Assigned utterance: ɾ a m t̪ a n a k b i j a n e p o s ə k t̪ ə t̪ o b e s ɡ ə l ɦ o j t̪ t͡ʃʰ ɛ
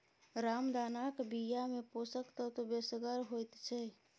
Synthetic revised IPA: ɾ a m d̪ a n a k b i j a m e p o s ə k t̪ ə t̪ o b e s ɡ ə ɾ ɦ o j t̪ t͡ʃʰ ɛ